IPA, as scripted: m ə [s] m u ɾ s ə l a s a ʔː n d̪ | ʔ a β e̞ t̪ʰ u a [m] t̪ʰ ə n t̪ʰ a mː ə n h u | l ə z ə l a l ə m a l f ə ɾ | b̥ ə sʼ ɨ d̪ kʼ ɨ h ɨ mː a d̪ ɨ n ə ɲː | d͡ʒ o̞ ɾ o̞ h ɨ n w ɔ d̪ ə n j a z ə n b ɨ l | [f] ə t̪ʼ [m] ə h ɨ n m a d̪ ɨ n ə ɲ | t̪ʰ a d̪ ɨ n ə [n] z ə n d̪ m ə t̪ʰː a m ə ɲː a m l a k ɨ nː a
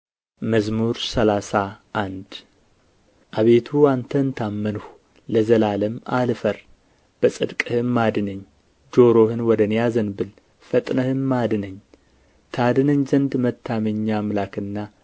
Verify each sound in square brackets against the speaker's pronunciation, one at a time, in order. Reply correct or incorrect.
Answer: incorrect, incorrect, correct, incorrect, incorrect

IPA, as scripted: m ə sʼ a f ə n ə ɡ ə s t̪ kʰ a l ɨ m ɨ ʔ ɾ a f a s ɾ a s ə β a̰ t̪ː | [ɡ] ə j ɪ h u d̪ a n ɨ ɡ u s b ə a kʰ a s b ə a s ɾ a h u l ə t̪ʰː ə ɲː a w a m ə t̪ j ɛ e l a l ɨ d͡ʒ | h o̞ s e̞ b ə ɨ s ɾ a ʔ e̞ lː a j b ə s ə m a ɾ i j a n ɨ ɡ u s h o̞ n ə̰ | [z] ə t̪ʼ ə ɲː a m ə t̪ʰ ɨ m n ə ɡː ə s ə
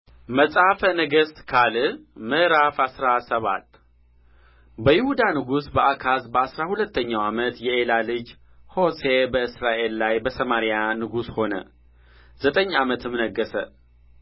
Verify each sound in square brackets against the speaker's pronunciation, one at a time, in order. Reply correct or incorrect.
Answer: incorrect, correct

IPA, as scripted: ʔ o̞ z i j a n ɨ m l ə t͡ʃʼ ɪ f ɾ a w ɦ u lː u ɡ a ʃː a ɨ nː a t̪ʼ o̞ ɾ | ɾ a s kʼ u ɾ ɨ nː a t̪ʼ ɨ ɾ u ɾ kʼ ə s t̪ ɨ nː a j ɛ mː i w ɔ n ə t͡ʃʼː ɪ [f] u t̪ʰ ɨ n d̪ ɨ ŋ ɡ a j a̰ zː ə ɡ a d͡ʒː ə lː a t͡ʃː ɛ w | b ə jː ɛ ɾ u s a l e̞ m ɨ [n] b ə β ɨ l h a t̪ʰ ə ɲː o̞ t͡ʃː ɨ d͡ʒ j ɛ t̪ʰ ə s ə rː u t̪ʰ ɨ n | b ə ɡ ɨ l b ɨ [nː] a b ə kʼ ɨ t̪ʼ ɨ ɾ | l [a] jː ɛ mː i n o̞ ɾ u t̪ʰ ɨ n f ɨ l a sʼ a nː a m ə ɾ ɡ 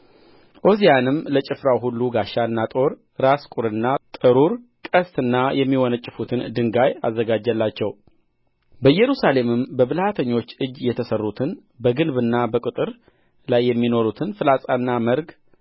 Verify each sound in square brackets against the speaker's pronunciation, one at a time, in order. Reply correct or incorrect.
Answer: correct, incorrect, correct, correct

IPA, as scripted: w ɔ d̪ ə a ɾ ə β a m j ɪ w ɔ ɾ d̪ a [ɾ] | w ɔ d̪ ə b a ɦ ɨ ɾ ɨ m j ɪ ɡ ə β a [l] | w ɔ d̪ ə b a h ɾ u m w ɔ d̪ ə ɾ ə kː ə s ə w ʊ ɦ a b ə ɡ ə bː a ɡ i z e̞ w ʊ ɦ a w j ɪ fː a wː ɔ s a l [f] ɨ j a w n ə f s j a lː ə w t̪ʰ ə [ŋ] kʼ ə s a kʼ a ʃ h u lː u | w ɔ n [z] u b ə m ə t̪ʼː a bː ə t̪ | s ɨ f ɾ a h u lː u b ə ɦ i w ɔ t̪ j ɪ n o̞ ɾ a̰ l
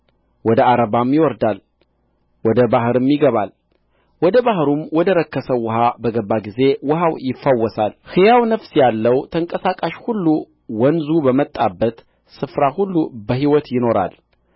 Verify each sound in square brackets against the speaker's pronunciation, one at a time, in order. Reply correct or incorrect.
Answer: incorrect, correct, incorrect, correct, correct

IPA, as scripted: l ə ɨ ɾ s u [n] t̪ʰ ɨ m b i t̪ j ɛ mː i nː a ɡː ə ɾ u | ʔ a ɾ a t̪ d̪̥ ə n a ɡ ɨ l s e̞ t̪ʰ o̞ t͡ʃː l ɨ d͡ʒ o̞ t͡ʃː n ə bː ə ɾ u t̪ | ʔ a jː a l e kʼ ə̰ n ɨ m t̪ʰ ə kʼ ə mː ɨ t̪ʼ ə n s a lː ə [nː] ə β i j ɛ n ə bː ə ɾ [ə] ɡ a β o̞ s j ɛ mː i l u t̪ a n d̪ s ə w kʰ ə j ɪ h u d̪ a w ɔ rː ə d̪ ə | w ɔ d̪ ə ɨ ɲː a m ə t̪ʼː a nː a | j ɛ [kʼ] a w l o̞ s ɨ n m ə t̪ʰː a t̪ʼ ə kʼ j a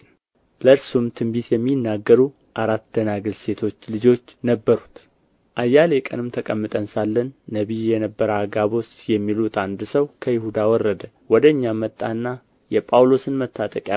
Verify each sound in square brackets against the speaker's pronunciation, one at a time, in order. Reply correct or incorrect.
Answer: incorrect, correct, incorrect, incorrect

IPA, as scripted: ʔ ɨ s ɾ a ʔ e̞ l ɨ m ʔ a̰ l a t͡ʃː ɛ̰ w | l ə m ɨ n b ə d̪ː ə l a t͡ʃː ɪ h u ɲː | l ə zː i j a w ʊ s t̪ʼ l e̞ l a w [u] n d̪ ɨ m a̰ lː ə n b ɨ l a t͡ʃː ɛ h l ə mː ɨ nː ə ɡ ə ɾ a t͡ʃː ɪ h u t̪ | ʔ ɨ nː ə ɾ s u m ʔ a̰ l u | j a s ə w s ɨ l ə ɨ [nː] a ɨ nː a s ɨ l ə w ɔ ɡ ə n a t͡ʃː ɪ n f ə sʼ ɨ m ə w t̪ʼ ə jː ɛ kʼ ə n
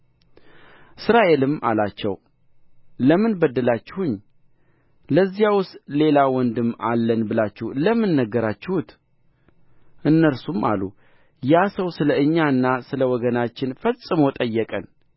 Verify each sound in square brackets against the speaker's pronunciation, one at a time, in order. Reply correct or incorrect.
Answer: incorrect, incorrect

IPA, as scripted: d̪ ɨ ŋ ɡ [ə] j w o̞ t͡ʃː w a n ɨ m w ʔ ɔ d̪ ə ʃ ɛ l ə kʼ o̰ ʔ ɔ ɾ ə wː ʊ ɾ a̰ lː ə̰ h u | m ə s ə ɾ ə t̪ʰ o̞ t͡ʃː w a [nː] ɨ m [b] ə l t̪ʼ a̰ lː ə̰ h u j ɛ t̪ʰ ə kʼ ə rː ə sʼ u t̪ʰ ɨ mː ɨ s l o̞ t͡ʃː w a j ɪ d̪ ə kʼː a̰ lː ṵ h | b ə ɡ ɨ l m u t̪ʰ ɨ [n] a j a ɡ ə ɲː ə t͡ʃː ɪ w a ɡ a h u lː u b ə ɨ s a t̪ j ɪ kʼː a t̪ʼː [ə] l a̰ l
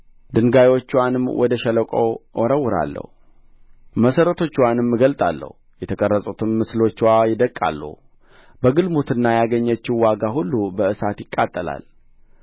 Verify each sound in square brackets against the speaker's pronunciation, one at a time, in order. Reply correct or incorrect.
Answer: incorrect, incorrect, incorrect, incorrect, correct

